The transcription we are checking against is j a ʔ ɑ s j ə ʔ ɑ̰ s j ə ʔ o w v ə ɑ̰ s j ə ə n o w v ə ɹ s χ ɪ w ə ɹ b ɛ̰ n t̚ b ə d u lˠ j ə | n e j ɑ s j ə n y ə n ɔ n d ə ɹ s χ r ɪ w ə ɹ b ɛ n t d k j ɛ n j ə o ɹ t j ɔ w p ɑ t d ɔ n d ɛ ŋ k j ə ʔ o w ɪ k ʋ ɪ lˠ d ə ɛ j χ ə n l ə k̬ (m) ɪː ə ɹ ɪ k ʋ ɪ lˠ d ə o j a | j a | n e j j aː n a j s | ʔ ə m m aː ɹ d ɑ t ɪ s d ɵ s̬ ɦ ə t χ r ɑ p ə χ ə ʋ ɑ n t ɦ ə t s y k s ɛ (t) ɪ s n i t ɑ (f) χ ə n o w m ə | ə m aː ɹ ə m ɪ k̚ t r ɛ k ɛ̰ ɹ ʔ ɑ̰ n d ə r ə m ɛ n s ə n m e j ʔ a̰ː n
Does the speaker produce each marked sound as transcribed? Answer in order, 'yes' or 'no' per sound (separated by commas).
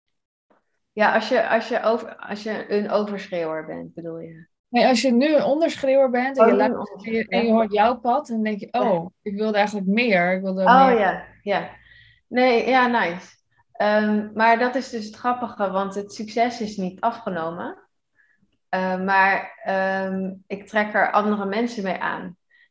yes, no, yes